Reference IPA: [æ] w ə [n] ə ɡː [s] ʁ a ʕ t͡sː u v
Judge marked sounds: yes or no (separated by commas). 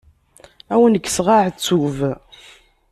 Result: yes, yes, yes